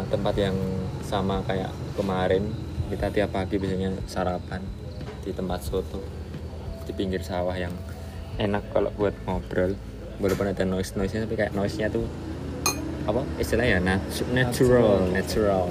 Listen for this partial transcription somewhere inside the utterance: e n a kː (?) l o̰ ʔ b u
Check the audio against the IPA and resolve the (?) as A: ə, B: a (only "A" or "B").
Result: B